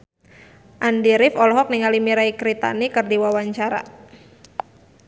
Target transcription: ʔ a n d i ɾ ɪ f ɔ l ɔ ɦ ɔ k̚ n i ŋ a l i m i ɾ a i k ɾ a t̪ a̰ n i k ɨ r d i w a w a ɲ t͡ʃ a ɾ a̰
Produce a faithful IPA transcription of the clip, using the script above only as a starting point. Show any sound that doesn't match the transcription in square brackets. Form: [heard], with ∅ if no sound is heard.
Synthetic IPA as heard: ʔ a n d i ɾ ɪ f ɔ l ɔ ɦ ɔ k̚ n i ŋ a l i m i ɾ a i k ɾ [i] t̪ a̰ n i k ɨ r d i w a w a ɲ t͡ʃ a ɾ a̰